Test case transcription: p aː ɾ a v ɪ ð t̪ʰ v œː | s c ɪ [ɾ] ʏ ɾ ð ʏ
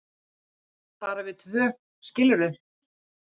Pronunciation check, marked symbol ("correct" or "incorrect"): incorrect